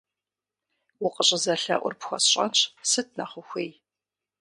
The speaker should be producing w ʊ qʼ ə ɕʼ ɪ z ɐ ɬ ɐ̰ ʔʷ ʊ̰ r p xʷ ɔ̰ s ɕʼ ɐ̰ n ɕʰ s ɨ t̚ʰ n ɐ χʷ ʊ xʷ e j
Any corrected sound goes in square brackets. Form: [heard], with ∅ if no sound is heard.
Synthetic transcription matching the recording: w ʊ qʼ ə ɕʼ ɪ z ɐ ɬ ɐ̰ ʔʷ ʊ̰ r p xʷ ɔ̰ s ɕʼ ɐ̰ n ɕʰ s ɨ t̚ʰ n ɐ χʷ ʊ xʷ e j